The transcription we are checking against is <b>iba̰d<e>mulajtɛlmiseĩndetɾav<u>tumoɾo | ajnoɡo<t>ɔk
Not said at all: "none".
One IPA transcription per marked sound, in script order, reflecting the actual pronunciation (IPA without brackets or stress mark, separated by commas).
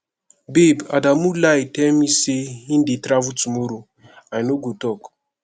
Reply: b, a, u, t